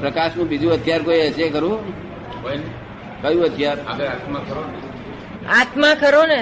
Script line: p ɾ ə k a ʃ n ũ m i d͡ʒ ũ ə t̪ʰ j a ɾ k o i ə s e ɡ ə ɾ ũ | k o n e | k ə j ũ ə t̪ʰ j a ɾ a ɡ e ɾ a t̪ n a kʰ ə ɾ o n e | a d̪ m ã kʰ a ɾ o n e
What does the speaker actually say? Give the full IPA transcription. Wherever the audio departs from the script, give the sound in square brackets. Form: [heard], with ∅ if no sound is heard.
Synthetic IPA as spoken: p ɾ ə k a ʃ n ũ [b] i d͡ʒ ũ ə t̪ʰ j a ɾ k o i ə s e [k] ə ɾ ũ | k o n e | k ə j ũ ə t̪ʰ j a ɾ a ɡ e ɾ a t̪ [m] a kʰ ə ɾ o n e | a [t̪] m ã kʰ [ə] ɾ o n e